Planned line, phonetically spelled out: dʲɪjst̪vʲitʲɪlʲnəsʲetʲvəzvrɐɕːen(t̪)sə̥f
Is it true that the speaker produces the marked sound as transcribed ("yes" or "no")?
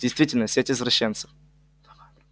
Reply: yes